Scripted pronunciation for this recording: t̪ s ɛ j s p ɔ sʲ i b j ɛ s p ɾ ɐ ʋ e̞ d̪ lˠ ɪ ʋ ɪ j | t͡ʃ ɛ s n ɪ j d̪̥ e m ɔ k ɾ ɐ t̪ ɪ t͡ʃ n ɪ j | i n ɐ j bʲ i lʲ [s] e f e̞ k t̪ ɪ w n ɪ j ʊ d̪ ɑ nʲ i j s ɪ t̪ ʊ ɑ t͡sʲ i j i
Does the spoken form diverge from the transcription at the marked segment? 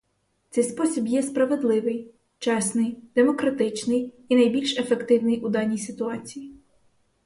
yes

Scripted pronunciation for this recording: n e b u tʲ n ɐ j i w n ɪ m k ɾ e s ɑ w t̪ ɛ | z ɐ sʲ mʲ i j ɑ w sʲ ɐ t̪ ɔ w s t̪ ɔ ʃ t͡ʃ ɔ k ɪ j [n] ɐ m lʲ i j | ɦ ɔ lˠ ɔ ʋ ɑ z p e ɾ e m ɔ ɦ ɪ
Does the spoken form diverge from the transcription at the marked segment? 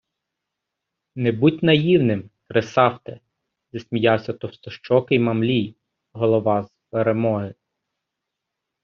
yes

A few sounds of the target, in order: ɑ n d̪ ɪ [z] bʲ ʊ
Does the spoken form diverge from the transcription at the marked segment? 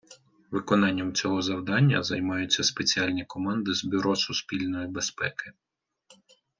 no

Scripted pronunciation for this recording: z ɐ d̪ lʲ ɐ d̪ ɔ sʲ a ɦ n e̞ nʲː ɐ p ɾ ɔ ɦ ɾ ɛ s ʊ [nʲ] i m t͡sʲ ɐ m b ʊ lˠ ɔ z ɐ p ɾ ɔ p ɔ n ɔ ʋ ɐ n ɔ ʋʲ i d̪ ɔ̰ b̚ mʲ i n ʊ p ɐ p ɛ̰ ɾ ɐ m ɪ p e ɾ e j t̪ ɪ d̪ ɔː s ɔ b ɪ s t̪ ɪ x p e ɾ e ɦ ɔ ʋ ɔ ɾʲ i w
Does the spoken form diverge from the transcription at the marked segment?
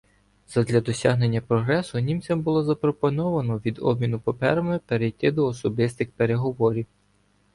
no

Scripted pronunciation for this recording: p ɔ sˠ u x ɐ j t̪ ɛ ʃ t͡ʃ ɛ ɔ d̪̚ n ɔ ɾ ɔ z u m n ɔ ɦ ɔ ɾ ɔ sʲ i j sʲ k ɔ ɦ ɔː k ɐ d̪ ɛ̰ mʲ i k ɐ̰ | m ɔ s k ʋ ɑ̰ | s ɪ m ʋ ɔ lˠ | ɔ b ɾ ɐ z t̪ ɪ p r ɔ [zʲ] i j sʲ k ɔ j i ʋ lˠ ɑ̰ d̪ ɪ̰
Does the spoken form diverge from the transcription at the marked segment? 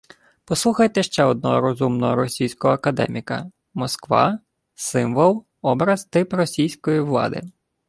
yes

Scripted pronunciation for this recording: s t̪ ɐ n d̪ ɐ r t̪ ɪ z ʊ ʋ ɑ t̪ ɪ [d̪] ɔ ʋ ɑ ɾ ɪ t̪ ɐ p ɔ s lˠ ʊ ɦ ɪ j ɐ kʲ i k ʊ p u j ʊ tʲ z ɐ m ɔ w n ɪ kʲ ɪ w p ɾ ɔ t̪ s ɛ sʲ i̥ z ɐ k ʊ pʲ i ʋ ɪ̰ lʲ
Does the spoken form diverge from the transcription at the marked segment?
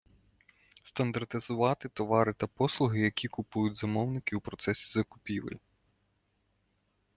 yes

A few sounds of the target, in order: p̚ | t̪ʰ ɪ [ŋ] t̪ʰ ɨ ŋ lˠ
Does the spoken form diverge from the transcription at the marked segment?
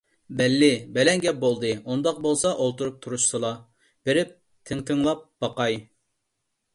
no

